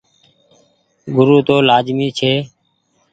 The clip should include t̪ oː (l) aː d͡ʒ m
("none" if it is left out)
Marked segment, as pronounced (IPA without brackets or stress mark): l